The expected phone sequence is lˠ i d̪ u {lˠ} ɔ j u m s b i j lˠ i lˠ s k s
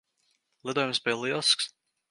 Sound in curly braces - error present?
yes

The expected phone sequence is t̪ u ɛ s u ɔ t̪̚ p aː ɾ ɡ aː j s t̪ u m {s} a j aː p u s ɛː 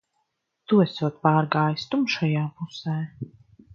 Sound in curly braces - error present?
yes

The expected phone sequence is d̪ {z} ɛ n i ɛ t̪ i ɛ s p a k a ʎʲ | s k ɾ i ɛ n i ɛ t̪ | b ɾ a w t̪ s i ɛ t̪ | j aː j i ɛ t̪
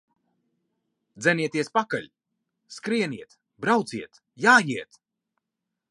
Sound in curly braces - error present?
no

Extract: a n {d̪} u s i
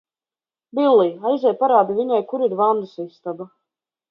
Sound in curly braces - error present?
no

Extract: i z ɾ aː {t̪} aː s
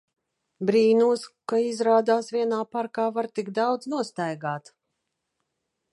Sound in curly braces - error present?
yes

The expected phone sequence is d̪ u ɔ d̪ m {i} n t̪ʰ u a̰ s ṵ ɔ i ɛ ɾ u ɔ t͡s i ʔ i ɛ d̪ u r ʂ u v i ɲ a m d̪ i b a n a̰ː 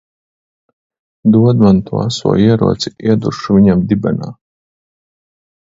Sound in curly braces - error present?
yes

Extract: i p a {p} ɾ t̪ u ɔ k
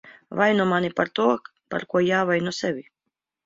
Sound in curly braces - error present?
yes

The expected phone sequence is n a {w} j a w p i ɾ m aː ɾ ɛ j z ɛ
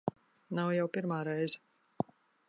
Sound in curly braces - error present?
no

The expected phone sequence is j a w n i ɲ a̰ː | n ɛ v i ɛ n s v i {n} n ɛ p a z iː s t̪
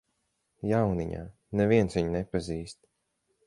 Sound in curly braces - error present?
yes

